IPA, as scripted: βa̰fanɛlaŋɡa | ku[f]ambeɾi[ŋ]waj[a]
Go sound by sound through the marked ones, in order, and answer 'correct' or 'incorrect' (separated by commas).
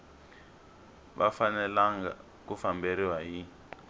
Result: correct, incorrect, incorrect